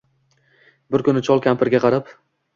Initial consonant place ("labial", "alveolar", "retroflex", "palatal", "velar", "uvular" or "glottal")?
labial